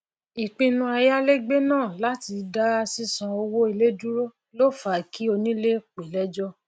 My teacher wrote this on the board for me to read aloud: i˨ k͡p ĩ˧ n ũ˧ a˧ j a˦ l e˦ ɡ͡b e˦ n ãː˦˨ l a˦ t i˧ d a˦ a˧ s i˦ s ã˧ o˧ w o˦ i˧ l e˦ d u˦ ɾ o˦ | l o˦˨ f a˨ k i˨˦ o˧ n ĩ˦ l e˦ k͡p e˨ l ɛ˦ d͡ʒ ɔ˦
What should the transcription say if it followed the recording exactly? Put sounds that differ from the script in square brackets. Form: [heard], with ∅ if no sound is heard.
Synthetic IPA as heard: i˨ k͡p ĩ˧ n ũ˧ a˧ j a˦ l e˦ ɡ͡b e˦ n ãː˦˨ l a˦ t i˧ d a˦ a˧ s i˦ s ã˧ o˧ w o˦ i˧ l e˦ d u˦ ɾ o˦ | l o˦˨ f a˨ k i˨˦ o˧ n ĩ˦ l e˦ k͡p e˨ l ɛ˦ d͡ʒ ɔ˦